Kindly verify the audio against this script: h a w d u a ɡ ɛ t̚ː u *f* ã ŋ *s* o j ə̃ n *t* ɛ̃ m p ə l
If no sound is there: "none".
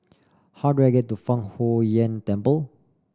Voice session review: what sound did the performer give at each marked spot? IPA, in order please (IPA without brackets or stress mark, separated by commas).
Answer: f, h, t